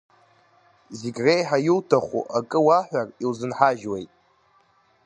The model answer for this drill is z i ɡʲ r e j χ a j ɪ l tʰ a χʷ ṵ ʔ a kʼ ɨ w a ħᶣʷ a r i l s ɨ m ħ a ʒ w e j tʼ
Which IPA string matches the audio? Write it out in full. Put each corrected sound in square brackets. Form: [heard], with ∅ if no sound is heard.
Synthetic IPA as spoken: z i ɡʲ r e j [ħ] a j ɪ l tʰ a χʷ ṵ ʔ a kʼ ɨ w a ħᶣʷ a r i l [z] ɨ [n] ħ a ʒ w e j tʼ